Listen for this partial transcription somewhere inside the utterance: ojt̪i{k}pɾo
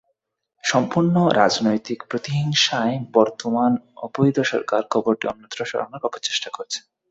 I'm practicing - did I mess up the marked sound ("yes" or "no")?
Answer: no